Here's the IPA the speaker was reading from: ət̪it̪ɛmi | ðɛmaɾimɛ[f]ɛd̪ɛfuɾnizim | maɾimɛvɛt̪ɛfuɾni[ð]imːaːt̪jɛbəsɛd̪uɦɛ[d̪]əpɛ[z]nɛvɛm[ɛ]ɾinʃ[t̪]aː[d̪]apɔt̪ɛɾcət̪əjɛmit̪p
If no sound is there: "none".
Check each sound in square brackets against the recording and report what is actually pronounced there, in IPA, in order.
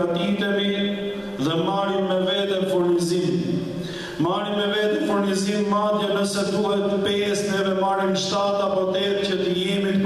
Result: v, z, t̪, s, a, t̪, t̪

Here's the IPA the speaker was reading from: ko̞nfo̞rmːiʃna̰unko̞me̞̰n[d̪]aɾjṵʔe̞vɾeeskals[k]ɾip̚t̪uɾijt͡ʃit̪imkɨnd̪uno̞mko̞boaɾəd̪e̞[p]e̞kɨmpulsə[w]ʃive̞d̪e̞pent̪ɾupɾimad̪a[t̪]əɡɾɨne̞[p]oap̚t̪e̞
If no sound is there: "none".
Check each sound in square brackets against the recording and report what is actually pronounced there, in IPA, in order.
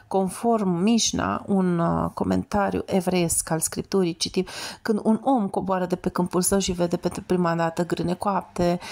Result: t̪, k, p, w, t̪, k

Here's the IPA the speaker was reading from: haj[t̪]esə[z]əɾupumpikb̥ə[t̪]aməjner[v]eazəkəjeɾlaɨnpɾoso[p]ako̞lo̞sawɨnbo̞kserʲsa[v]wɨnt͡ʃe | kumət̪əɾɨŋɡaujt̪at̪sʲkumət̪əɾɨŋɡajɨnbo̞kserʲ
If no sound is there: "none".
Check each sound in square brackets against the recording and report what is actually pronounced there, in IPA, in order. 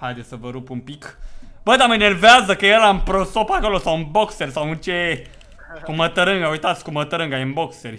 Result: d̪, v, d̪, v, p, none

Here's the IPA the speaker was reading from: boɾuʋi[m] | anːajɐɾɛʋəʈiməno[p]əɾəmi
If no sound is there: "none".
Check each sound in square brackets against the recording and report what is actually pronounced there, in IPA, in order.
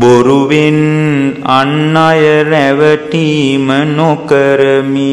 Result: n, k

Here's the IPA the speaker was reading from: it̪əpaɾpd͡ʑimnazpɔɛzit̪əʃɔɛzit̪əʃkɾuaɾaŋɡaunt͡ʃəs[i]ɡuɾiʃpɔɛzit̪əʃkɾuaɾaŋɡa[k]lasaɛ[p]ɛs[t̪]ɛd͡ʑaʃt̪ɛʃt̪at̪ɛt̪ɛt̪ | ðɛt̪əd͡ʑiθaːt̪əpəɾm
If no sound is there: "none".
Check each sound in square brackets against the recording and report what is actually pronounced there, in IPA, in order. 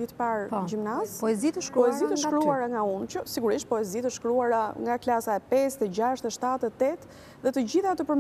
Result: i, k, p, t̪

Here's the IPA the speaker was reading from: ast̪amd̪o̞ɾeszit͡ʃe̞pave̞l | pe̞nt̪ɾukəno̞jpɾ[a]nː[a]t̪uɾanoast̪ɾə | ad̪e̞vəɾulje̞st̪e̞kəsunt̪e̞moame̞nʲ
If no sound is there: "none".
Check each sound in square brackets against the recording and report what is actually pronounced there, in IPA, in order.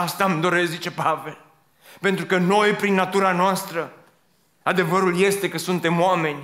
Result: i, a

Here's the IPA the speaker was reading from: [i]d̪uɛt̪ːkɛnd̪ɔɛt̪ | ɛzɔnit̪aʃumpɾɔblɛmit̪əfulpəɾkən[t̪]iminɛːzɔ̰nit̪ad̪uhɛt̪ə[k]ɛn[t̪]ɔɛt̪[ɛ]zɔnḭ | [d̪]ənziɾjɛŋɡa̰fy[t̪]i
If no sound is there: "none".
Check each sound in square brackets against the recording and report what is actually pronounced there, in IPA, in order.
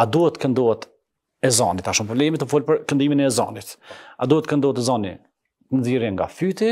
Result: a, d̪, k, d̪, ɛ, t̪, t̪

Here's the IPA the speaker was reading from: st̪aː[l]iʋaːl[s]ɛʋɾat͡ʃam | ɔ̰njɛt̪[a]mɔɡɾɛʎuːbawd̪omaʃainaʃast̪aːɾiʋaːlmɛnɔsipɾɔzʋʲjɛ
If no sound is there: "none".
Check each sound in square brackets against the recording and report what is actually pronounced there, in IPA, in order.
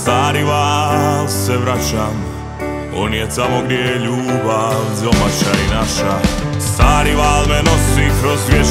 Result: ɾ, s, a

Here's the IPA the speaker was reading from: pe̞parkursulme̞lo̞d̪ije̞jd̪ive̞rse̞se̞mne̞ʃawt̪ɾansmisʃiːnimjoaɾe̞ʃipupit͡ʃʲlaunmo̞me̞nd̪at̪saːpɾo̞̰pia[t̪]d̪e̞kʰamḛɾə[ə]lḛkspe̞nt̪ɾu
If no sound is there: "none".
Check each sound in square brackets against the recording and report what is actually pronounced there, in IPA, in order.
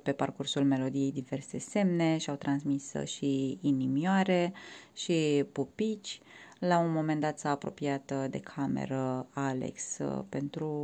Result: t̪, a

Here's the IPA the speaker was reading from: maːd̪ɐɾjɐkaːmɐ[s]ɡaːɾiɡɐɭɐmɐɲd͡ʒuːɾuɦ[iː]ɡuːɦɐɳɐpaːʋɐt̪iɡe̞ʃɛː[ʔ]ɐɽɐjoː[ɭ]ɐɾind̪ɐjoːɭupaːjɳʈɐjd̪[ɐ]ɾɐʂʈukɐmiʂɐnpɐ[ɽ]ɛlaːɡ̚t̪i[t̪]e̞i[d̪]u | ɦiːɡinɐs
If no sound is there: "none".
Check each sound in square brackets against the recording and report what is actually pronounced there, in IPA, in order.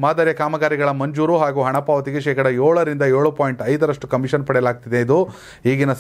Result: none, aː, k, ɭ, ɐ, ɽ, d̪, d̪

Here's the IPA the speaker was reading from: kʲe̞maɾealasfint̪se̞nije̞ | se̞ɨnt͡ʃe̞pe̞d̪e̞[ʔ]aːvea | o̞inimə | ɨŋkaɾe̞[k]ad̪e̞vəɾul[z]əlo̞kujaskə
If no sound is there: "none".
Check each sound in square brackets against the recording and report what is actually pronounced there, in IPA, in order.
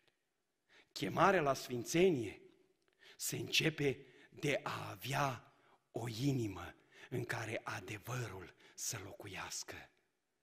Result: ʔ, ʔ, s

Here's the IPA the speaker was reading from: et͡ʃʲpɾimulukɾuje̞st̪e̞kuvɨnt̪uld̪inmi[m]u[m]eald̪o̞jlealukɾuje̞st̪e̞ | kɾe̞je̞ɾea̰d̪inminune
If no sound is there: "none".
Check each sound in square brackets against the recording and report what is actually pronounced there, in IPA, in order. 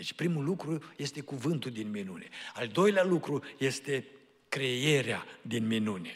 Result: n, n

